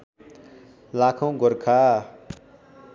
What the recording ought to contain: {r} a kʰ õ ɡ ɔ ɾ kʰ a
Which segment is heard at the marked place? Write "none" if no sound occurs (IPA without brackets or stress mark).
l